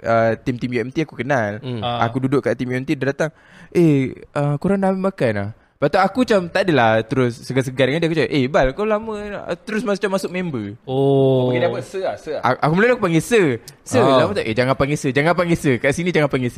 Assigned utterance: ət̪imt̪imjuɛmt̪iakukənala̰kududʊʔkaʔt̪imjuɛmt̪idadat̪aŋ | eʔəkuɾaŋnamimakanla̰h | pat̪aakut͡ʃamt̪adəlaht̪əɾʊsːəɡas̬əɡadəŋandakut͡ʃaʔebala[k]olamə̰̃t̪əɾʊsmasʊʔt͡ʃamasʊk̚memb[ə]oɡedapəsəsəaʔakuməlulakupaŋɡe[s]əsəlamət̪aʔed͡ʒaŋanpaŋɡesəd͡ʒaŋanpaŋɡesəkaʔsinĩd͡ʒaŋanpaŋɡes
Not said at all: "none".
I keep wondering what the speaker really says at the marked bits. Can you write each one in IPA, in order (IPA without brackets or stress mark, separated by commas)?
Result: k, ə, s